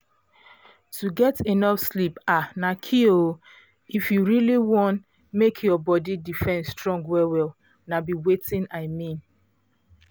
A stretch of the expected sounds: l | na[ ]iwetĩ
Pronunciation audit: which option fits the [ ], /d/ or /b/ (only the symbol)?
b